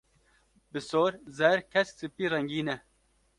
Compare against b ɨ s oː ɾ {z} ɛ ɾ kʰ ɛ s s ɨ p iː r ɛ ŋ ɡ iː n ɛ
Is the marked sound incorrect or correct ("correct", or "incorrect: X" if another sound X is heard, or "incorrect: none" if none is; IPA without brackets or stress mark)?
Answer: correct